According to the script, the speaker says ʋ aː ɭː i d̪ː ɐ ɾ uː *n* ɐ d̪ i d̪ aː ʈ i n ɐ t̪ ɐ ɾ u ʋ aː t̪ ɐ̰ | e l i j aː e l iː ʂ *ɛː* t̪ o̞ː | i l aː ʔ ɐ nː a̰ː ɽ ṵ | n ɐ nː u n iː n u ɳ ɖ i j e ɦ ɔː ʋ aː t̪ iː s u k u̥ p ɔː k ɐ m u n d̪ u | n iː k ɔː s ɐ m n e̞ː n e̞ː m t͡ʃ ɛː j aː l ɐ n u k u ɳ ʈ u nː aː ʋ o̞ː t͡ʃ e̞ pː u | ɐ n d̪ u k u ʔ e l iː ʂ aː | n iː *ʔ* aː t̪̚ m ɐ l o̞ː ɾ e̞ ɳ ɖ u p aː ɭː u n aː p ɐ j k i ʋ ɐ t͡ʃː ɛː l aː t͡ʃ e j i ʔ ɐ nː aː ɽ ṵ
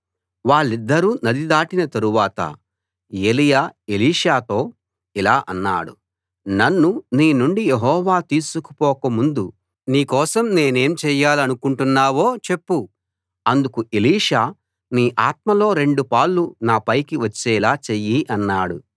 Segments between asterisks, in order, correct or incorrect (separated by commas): correct, incorrect, correct